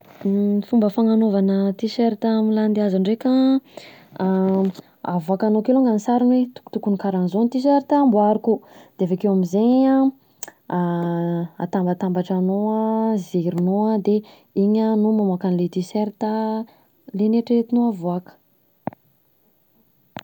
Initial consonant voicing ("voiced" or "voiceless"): voiceless